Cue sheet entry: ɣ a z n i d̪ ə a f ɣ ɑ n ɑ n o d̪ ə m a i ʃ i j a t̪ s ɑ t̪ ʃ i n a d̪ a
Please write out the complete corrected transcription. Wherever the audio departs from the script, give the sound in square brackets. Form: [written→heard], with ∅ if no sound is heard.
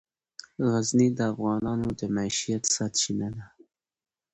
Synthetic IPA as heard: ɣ a z n i d̪ ə a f ɣ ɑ n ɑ n o d̪ ə m a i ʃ i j a t̪ s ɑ t̪ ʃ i n a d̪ a